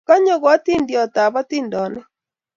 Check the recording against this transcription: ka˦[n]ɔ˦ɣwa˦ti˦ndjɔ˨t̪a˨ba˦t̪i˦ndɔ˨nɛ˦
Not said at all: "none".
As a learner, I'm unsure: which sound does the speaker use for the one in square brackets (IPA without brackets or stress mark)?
ɲ